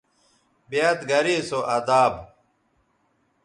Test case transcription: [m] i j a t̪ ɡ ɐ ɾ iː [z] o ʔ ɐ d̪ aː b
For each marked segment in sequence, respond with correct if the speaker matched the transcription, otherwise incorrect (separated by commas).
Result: incorrect, incorrect